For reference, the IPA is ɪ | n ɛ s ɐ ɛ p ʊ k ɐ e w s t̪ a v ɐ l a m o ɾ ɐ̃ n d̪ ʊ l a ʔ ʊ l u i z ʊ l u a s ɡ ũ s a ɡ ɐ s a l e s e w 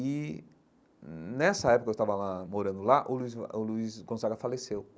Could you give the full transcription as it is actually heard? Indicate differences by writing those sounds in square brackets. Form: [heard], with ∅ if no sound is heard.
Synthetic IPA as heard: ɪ | n ɛ s ɐ ɛ p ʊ k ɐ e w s t̪ a v ɐ l a m o ɾ ɐ̃ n d̪ ʊ l a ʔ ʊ l u i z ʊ l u [i] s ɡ [õ] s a ɡ ɐ [f] a l e s e w